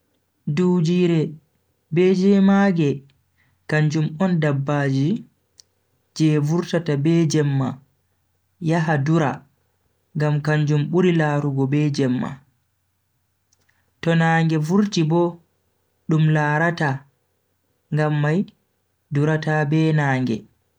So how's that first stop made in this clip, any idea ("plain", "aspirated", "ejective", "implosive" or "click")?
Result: plain